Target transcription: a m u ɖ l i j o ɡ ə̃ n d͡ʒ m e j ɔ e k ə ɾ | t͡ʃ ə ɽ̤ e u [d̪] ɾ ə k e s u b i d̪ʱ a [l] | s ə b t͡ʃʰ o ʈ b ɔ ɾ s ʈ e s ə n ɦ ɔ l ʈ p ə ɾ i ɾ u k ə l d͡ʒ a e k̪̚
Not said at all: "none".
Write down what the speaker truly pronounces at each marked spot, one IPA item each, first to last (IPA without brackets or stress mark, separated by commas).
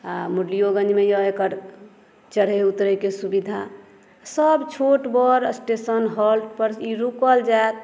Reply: t̪, none